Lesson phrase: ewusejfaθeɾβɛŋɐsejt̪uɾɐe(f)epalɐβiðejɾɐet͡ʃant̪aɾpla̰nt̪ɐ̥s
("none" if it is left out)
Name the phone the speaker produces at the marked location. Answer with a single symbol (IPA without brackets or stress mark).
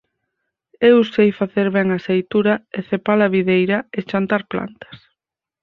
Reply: θ